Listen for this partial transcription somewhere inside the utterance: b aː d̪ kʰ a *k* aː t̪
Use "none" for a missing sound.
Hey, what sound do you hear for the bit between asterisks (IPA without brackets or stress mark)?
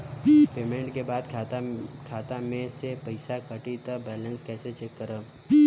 kʰ